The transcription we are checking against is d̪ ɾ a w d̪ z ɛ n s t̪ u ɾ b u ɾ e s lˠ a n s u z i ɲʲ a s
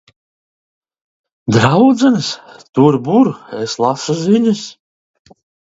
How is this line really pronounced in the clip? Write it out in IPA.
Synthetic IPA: d̪ ɾ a w d̪ z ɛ n s t̪ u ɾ b u ɾ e s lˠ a s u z i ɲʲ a s